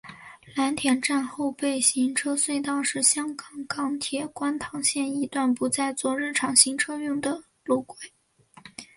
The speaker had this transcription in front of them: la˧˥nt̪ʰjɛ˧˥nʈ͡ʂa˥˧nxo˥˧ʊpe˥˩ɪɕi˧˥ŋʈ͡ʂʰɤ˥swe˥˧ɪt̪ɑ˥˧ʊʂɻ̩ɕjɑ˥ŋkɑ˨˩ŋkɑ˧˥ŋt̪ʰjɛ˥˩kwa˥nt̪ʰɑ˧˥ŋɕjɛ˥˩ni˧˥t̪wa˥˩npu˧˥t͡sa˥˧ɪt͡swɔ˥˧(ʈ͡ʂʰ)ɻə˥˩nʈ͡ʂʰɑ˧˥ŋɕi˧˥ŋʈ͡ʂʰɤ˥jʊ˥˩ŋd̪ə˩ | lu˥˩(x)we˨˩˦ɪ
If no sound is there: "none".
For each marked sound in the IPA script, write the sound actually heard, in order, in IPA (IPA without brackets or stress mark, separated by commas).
none, k